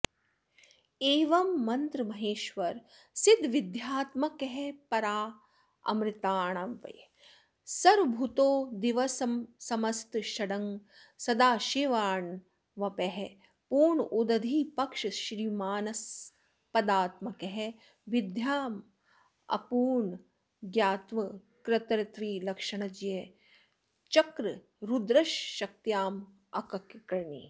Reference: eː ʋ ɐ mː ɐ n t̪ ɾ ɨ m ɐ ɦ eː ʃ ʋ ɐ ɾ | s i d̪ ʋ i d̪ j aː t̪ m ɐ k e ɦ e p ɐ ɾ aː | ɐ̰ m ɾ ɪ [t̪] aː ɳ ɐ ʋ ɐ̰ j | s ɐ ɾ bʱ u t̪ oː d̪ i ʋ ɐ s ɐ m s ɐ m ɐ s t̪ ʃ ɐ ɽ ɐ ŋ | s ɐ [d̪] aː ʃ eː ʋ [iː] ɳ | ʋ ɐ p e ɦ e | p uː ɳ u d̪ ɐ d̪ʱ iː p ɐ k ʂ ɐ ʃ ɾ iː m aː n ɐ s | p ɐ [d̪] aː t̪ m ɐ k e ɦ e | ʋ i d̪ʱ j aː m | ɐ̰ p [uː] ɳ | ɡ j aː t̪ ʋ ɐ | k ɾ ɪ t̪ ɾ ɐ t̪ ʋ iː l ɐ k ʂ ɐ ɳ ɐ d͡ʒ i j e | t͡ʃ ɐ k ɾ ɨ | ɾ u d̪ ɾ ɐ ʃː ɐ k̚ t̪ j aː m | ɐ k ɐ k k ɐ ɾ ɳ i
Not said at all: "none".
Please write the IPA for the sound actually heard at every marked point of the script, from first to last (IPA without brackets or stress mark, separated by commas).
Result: t̪, d̪, aː, d̪, uː